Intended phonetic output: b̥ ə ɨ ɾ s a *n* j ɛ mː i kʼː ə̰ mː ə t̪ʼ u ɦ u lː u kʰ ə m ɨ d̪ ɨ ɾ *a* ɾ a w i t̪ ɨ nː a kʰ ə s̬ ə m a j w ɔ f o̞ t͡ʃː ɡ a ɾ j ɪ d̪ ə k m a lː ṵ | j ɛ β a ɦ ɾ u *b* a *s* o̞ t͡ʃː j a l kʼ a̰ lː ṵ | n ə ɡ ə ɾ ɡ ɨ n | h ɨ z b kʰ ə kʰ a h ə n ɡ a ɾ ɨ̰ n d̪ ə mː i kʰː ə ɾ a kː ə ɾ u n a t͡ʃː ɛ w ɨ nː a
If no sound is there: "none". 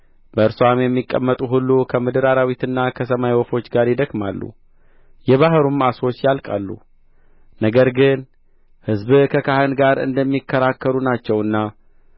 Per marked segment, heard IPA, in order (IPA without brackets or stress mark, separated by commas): m, a, m, s